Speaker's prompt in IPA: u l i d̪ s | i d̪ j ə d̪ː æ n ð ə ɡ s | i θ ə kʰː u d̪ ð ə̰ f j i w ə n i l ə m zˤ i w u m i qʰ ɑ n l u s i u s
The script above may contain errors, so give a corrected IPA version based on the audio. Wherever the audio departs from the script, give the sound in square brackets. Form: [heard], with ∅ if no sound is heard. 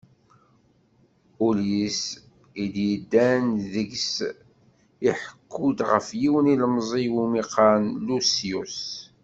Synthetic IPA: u l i [∅] s | i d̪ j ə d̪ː æ n ð ə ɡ s | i [ħ] ə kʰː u d̪ [ʁ] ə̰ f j i w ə n i l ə m zˤ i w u m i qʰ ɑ n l u s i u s